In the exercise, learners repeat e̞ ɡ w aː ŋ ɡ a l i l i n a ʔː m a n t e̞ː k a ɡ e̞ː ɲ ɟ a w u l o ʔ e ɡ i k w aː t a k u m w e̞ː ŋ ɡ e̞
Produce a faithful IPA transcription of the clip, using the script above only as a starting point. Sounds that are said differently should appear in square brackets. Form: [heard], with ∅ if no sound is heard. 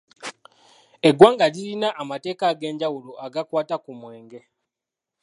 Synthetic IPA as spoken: e̞ ɡ w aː ŋ ɡ a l i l i n a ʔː m a [∅] t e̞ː k a ɡ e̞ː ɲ ɟ a w u l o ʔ [a] ɡ [a] k w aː t a k u m w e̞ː ŋ ɡ e̞